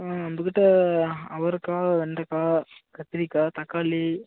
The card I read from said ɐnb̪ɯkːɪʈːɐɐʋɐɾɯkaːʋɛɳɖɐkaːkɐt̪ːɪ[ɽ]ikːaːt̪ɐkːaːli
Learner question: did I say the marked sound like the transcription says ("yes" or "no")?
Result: no